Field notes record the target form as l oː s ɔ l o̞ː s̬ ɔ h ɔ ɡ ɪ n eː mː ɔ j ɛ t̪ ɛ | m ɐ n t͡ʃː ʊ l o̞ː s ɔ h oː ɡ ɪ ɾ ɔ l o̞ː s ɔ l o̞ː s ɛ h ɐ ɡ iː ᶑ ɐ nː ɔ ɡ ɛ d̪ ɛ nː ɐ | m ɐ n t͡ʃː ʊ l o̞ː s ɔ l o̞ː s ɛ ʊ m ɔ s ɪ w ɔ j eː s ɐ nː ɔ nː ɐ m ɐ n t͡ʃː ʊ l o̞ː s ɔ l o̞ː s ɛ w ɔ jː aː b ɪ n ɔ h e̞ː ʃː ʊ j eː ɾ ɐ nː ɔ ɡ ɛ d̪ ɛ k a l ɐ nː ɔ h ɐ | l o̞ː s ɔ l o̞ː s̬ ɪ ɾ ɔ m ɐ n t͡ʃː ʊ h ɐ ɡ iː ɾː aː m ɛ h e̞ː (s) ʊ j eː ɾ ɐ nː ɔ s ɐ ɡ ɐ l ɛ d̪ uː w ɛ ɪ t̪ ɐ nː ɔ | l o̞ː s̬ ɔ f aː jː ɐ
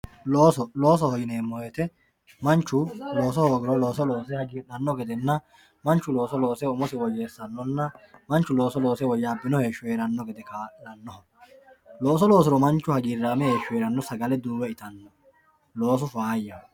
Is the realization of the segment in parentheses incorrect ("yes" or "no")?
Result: yes